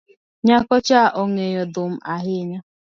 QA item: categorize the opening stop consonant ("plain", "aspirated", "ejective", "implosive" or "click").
plain